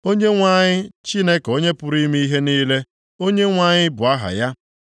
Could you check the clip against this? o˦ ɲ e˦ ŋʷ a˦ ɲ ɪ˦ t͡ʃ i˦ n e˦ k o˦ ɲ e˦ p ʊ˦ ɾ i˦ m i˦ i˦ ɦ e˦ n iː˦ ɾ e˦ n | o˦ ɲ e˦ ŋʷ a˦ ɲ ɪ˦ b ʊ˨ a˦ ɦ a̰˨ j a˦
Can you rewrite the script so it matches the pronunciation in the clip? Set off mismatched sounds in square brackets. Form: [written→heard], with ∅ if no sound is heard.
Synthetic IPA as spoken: o˦ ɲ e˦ ŋʷ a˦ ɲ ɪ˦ t͡ʃ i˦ n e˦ k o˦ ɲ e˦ p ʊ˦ ɾ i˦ m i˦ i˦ ɦ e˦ n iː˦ [ɾ→l] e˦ [n→∅] | o˦ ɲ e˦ ŋʷ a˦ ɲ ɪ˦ b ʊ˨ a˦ ɦ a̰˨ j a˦

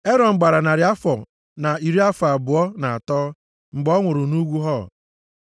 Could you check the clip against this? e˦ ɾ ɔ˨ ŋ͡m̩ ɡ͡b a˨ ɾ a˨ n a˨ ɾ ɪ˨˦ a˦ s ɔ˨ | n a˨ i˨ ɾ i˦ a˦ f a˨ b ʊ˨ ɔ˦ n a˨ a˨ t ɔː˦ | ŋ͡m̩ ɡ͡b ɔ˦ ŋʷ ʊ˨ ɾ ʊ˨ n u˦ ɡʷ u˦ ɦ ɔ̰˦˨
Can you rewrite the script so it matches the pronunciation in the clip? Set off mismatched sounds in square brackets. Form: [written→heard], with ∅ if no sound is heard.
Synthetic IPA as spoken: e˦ ɾ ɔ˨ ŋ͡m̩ ɡ͡b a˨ ɾ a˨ n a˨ ɾ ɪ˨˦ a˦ [s→f] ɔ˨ | n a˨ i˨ ɾ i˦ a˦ f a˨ b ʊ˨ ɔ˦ n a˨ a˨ t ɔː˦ | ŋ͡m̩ ɡ͡b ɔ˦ ŋʷ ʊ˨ ɾ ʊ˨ n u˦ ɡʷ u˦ ɦ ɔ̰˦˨

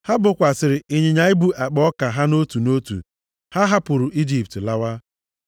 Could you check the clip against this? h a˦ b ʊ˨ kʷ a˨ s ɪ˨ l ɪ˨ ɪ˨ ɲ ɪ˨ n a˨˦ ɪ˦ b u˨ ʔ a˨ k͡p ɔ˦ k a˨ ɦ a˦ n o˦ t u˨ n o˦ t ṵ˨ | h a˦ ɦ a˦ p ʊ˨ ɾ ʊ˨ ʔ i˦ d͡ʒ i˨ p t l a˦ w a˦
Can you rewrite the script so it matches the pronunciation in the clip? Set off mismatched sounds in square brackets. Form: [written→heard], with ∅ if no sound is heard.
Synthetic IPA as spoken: h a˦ b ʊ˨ kʷ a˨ s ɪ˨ [l→ɾ] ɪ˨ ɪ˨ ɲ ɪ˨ [n→ɲ] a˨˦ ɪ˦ b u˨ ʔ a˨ k͡p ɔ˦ k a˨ ɦ a˦ n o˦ t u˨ n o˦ t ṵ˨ | h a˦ ɦ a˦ p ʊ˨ ɾ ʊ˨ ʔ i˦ d͡ʒ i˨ p t l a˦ w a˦

